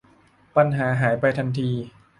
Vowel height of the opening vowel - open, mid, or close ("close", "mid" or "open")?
open